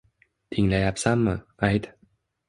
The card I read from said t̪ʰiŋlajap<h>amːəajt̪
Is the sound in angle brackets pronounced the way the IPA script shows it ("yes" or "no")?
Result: no